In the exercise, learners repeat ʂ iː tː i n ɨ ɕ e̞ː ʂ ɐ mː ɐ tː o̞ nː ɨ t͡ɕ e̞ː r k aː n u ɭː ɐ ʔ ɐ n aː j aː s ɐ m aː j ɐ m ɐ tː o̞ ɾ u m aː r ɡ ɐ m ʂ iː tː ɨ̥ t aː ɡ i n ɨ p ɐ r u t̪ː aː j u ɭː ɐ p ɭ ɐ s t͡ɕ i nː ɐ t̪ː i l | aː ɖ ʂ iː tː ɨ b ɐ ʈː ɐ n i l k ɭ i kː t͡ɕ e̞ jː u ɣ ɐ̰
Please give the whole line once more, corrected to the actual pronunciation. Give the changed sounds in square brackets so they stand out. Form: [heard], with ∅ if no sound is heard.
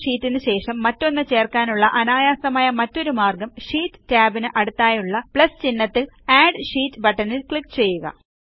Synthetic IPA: ʂ iː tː i n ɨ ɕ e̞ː ʂ ɐ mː ɐ tː o̞ nː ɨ t͡ɕ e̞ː r k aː n u ɭː ɐ ʔ ɐ n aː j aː s ɐ m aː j ɐ m ɐ tː o̞ ɾ u m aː r ɡ ɐ m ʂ iː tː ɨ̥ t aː [b] i n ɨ [ʔ] ɐ [ɽ] u t̪ː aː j u ɭː ɐ p ɭ ɐ s t͡ɕ i nː ɐ t̪ː i l | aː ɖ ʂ iː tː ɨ b ɐ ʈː ɐ n i l k ɭ i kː t͡ɕ e̞ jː u ɣ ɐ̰